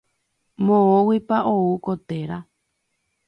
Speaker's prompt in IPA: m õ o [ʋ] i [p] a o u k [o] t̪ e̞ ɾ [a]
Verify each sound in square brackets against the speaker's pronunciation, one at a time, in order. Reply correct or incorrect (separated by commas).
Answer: incorrect, correct, correct, correct